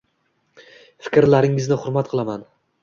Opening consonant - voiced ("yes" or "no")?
no